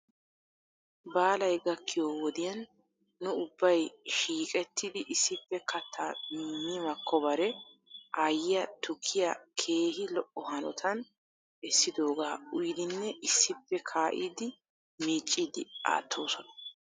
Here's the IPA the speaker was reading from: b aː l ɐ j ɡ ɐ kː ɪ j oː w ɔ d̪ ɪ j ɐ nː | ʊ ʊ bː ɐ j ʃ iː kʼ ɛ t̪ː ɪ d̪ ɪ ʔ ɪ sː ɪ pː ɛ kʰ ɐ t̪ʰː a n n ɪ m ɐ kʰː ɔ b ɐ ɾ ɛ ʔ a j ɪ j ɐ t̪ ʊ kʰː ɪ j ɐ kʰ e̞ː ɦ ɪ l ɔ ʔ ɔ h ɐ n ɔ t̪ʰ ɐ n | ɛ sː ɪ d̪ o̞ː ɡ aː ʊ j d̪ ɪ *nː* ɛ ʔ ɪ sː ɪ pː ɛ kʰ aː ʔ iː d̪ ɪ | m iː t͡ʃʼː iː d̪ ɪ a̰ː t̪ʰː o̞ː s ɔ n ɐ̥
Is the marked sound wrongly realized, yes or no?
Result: no